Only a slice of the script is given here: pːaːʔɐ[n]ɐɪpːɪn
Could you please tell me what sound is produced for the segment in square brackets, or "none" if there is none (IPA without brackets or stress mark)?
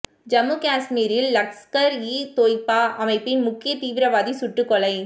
m